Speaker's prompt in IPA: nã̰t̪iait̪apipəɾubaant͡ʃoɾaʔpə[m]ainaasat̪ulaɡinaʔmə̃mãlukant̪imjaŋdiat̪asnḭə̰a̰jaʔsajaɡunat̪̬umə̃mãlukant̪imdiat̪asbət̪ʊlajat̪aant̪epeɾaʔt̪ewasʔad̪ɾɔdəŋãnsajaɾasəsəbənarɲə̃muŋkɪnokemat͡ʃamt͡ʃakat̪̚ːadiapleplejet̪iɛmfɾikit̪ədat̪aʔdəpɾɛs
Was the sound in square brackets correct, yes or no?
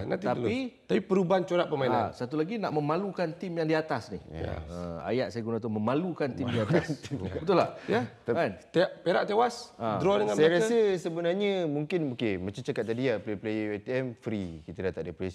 yes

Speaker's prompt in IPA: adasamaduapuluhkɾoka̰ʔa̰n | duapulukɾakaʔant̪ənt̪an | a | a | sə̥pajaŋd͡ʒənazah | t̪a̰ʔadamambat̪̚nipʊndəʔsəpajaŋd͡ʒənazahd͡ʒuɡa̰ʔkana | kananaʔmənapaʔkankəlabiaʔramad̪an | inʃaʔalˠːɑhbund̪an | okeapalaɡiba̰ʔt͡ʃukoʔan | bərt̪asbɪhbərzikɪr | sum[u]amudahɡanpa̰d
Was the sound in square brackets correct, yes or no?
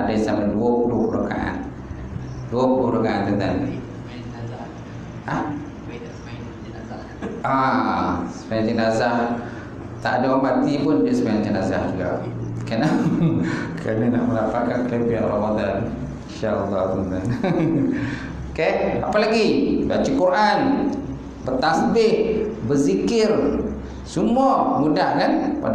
yes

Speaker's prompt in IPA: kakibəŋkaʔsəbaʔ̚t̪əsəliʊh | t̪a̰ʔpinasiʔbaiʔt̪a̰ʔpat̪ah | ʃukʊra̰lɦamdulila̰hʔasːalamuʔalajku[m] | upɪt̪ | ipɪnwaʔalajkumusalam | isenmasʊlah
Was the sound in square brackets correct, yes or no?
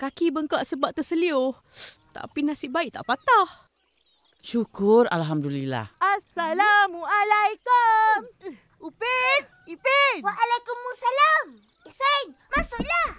yes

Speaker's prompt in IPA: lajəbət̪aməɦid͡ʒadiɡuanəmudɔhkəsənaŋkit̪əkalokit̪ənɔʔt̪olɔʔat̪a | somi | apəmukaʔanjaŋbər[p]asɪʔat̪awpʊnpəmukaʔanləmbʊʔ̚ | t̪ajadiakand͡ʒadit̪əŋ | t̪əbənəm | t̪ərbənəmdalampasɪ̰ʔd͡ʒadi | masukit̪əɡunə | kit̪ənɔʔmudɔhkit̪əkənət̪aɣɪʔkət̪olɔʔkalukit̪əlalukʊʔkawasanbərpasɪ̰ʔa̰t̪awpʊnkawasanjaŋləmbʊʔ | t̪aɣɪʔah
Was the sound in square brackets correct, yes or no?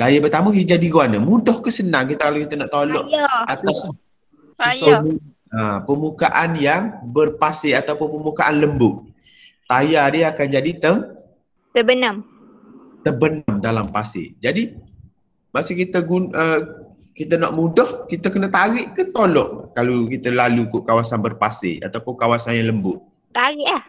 yes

